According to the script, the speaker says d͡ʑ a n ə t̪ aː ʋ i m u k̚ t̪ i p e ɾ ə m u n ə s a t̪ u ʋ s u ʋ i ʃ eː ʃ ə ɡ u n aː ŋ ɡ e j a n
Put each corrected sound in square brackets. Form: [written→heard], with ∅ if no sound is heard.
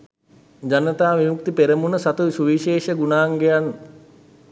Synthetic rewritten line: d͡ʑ a n ə t̪ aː ʋ i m u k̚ t̪ i p e ɾ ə m u n ə s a t̪ u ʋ s u ʋ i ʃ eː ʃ ə ɡ u n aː ŋ ɡ e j a n